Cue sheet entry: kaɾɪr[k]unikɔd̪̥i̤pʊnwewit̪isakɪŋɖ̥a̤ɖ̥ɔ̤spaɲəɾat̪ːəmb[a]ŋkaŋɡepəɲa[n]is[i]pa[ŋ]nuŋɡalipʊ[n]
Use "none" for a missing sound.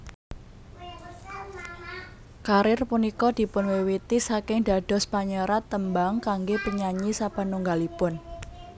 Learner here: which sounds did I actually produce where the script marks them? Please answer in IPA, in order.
p, a, ɲ, a, none, n

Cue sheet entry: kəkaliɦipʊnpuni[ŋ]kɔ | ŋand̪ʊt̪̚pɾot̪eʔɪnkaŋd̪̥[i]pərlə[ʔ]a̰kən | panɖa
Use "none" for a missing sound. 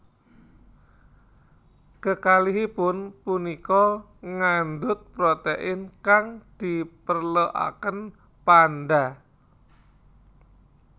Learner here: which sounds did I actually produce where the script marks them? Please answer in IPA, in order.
none, i, ʔ

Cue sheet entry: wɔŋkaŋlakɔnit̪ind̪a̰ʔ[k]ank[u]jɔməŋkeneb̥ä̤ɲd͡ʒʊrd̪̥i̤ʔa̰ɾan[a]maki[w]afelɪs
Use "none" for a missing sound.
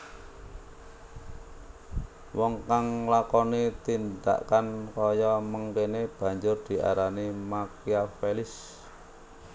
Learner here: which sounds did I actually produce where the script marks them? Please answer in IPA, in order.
k, ɔ, i, none

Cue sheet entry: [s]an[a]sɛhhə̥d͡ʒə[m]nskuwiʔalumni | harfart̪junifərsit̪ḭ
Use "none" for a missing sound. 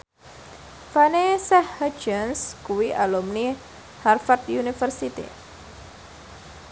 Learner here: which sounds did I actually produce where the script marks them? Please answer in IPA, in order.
f, e, none

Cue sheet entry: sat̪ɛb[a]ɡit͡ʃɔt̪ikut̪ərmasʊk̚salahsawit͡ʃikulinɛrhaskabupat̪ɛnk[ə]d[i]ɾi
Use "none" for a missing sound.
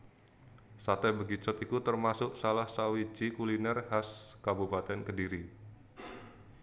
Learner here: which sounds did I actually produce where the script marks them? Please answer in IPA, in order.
ə, ə, i

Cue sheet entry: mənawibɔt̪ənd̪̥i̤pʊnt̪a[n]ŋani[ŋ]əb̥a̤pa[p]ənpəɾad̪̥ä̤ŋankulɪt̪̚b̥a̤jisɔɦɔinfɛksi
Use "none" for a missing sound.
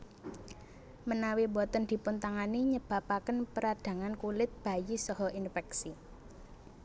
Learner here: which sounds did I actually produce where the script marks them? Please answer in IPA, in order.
none, ɲ, k

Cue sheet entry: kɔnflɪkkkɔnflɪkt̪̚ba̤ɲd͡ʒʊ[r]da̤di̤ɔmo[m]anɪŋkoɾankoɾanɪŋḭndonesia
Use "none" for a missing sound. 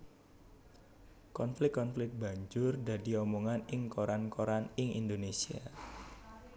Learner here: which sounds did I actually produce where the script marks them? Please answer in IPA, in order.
r, ŋ

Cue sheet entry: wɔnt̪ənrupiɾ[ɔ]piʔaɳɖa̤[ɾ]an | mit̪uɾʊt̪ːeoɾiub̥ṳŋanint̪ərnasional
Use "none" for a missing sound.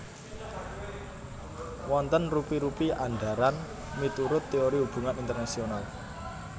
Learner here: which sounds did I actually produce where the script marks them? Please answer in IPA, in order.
u, ɾ

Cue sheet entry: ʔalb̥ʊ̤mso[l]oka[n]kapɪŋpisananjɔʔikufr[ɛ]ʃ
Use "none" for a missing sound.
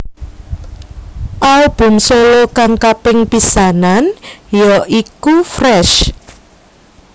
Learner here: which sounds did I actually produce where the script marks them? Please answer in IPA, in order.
l, ŋ, ɛ

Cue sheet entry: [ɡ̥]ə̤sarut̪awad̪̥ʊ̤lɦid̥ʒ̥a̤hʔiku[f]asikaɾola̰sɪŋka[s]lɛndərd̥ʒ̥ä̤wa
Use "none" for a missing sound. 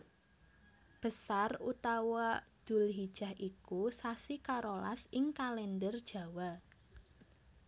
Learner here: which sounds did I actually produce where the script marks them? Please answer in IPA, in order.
b̥, s, none

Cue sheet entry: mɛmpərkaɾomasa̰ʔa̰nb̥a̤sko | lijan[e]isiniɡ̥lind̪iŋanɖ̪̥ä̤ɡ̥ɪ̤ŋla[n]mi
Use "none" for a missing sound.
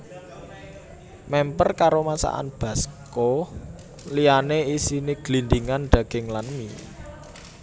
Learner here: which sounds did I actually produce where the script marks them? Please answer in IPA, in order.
e, n

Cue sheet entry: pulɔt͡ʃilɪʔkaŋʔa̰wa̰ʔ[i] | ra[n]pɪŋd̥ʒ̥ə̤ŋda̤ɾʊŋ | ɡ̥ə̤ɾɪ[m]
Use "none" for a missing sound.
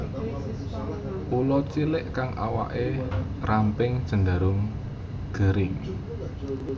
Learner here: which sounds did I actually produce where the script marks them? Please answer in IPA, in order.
e, m, ŋ

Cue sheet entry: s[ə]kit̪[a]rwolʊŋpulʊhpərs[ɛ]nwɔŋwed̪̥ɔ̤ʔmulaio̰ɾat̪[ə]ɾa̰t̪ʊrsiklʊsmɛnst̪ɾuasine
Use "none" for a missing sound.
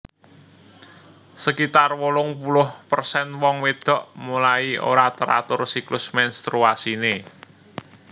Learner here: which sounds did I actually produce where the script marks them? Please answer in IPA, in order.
ə, a, ɛ, ə

